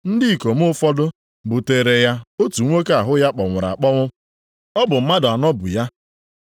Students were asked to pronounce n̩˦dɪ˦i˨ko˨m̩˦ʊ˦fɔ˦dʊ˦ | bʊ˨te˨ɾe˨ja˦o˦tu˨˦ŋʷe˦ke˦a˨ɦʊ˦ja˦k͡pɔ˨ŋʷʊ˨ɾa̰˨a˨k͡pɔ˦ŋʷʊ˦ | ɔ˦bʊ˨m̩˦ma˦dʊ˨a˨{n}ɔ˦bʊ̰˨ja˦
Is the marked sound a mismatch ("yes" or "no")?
no